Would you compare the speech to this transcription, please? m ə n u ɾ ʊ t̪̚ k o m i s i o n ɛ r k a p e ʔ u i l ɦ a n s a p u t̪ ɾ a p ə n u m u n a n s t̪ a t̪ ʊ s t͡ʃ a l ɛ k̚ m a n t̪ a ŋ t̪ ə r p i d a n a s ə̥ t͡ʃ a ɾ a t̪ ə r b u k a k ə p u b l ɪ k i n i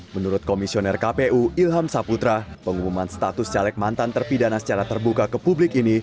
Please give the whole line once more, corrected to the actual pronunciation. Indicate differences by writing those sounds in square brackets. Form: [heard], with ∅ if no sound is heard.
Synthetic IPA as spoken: m ə n u ɾ ʊ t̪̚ k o m i s i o n ɛ r k a p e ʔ u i l ɦ a [m] s a p u t̪ ɾ a p ə [ŋ] u m u [m] a n s t̪ a t̪ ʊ s t͡ʃ a l ɛ k̚ m a n t̪ a [n] t̪ ə r p i d a n a s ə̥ t͡ʃ a ɾ a t̪ ə r b u k a k ə p u b l ɪ k i n i